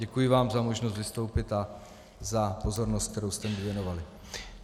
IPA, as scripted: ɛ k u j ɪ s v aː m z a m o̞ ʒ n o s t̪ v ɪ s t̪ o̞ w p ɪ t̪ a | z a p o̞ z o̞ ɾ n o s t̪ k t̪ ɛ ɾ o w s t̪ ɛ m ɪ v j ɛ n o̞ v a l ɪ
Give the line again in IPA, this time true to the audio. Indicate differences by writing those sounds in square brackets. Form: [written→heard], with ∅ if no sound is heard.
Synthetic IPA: ɛ k u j ɪ [s→∅] v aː m z a m o̞ ʒ n o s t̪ v ɪ s t̪ o̞ w p ɪ t̪ a | z a p o̞ z o̞ ɾ n o s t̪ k t̪ ɛ ɾ o w s t̪ ɛ m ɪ v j ɛ n o̞ v a l ɪ